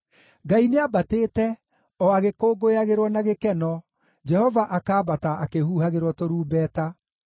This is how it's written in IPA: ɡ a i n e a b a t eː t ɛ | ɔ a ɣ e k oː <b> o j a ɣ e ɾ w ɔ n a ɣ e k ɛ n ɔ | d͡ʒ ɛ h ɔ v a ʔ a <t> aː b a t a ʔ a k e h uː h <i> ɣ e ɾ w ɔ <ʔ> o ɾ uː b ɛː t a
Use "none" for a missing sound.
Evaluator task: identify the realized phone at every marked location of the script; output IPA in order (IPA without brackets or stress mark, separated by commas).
ɡ, k, a, t